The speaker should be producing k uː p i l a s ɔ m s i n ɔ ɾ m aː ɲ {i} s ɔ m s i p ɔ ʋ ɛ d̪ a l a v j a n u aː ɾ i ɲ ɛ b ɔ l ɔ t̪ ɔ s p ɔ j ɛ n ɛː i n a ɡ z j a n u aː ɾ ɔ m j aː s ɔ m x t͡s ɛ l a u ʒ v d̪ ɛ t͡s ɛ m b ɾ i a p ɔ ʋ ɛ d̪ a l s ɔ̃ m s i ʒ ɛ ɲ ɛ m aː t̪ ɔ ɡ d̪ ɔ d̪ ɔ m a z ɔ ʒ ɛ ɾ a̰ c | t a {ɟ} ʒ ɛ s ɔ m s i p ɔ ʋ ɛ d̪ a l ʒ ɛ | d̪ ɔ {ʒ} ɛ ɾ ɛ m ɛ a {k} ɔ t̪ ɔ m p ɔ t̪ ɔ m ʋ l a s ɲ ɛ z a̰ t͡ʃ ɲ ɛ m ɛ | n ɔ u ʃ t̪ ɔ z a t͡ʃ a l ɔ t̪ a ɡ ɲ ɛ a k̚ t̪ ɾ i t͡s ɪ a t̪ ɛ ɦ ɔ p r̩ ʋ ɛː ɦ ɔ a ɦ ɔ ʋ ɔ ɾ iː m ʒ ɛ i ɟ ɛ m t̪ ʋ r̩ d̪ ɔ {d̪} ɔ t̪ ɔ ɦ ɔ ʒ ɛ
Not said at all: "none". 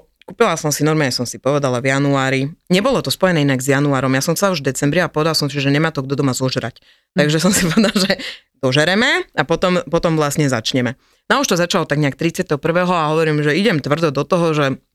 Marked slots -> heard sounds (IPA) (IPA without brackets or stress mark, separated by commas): ɛ, ɡ, ʒ, p, d̪